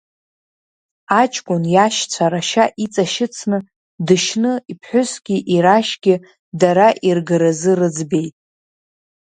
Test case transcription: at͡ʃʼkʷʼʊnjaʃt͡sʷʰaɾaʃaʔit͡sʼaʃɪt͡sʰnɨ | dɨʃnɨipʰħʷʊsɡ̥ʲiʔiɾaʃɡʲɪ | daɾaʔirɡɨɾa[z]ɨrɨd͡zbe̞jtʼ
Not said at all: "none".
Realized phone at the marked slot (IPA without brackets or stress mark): z